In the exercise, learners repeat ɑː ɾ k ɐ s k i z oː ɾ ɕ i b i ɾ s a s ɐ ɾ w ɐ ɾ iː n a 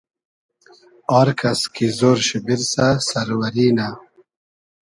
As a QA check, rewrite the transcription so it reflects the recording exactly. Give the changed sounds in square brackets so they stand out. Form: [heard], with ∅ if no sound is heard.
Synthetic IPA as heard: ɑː ɾ k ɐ s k i z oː ɾ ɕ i b i ɾ s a s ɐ ɾ w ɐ ɾ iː n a